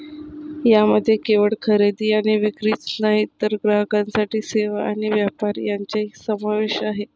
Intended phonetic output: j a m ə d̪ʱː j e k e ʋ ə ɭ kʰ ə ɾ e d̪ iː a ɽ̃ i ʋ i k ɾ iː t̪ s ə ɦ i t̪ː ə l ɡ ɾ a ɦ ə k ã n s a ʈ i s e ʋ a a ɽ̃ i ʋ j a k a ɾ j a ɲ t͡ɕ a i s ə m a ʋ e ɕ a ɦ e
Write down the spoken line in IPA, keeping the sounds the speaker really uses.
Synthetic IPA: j a m ə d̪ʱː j e k e ʋ ə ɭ kʰ ə ɾ e d̪ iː a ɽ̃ i ʋ i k ɾ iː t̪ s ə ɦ i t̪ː ə ɾ ɡ ɾ a ɦ ə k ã n s a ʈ iː s e ʋ a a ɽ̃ i ʋ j a p a ɾ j a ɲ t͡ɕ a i s ə m a ʋ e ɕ a ɦ e